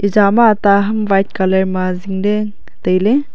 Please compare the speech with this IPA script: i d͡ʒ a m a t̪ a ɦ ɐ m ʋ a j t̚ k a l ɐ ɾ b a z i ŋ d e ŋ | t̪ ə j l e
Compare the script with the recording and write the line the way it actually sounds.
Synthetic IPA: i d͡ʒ a m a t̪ a ɦ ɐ m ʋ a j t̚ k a l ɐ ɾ m a z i ŋ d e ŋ | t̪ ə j l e